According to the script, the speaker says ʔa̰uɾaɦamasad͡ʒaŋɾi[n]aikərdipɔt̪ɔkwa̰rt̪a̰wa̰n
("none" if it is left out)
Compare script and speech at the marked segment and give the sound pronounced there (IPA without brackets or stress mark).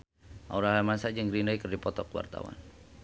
n